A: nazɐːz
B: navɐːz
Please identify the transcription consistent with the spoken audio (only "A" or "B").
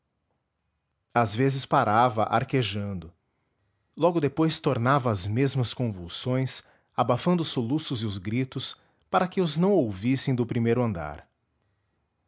B